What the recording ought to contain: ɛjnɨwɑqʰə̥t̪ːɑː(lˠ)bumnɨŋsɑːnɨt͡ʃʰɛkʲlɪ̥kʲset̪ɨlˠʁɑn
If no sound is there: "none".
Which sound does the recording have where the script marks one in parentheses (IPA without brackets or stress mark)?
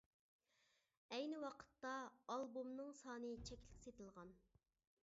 lˠ